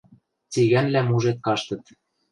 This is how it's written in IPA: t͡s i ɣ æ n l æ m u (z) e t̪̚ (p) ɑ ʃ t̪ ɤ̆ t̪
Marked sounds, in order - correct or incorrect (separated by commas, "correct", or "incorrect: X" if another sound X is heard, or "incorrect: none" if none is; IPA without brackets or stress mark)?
incorrect: ʒ, incorrect: k